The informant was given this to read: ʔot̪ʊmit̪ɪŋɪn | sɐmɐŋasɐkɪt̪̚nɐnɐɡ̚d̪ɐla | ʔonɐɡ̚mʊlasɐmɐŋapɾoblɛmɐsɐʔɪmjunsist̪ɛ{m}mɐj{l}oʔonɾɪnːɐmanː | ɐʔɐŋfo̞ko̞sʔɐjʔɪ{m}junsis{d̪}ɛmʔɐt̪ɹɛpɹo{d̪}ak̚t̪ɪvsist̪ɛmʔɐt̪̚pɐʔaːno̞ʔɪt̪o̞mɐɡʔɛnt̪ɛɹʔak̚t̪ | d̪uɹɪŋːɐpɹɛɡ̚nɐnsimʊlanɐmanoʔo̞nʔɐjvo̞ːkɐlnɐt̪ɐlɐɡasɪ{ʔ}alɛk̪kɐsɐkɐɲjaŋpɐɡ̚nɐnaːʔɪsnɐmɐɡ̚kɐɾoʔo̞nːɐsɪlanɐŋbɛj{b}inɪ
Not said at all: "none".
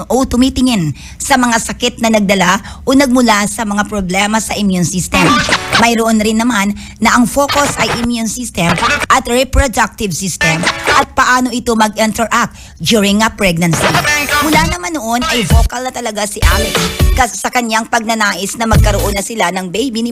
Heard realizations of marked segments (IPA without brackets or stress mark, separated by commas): m, ɾ, m, t̪, d̪, ʔ, b